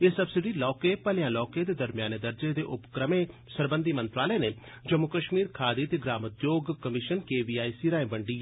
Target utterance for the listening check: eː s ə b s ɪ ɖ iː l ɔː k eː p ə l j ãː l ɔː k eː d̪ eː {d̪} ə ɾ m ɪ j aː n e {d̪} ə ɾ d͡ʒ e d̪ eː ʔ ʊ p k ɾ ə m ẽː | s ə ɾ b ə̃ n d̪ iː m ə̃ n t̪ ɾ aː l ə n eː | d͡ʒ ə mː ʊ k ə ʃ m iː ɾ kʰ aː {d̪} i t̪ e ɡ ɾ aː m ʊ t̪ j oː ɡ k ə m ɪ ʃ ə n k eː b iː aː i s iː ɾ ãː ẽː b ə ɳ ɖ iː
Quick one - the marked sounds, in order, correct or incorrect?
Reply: correct, correct, correct

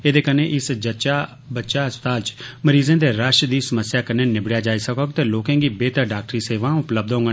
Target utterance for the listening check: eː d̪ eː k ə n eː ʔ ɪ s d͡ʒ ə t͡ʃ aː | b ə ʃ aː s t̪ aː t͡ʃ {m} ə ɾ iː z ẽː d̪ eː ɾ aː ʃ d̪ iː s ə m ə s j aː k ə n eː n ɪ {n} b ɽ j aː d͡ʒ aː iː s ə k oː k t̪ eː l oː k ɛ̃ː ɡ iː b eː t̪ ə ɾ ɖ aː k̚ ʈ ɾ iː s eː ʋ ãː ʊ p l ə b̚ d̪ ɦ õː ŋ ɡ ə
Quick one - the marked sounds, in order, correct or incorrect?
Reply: correct, incorrect

